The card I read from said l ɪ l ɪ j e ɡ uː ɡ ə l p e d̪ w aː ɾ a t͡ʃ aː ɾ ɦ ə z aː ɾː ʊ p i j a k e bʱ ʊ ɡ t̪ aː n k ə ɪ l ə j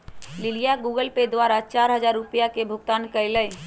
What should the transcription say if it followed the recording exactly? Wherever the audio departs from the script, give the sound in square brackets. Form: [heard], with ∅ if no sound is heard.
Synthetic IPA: l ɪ l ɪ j [a] ɡ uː ɡ ə l p e d̪ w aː ɾ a t͡ʃ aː ɾ ɦ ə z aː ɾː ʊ p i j a k e bʱ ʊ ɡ t̪ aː n k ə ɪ l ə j